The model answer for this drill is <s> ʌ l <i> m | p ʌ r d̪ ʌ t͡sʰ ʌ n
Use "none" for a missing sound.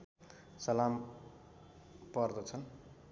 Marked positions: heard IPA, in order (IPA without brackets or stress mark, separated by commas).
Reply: s, a